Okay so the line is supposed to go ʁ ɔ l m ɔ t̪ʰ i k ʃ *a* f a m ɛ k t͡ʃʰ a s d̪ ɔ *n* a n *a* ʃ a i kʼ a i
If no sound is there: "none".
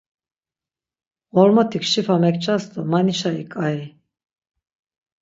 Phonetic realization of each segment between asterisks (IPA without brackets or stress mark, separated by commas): i, m, i